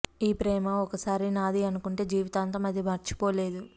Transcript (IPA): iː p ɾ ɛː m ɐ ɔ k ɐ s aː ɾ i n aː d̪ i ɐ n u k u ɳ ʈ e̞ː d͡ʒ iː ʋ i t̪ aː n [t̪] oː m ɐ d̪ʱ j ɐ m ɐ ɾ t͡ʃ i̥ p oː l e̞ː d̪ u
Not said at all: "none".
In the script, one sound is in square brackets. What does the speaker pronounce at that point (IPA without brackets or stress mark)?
t̪